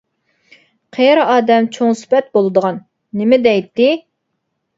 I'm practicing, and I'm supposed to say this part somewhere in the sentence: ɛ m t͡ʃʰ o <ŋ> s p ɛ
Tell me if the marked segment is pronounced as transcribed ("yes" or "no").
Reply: yes